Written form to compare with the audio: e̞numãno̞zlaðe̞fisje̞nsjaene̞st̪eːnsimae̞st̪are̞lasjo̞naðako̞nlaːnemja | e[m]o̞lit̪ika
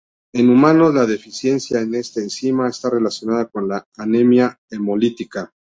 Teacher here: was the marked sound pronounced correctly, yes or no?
yes